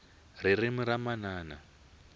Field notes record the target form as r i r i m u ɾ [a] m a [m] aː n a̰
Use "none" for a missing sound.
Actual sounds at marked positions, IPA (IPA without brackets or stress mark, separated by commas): a, n